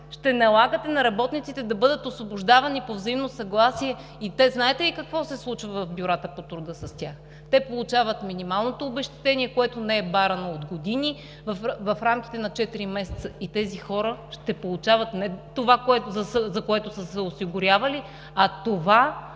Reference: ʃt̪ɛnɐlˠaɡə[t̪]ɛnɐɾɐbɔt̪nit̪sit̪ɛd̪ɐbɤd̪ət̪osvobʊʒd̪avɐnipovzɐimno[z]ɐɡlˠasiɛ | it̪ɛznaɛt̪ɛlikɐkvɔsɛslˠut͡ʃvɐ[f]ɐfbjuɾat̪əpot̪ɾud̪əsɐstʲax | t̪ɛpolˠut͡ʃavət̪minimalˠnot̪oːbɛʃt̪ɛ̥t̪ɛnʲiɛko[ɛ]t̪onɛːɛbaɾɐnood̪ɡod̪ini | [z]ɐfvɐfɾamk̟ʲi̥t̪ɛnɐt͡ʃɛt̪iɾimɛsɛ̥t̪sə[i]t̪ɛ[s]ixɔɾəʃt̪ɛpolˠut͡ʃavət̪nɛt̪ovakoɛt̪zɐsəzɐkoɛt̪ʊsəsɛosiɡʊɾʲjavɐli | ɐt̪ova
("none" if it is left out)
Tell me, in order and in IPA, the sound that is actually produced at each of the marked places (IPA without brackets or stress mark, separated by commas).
t̪, s, v, ɛ, v, i, z